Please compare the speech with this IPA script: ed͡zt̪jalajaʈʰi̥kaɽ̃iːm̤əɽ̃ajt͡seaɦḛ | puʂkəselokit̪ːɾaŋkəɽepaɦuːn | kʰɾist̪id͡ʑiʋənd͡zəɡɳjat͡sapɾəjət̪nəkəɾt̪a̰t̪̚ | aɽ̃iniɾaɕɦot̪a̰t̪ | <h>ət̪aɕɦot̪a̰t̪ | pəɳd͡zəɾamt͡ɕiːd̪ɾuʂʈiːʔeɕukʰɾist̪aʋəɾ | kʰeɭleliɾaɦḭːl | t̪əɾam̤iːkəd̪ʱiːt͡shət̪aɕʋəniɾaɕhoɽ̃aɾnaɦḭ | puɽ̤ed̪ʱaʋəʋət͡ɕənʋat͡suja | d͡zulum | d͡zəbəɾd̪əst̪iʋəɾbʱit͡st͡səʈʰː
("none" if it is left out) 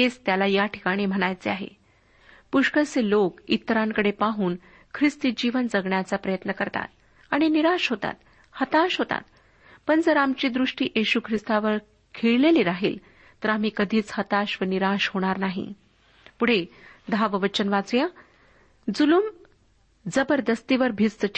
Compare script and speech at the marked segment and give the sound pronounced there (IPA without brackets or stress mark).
h